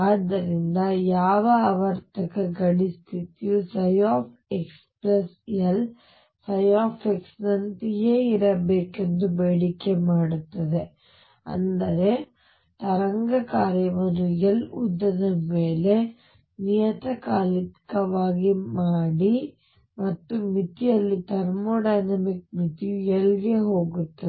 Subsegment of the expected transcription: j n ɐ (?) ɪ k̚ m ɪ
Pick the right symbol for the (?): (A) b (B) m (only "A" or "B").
B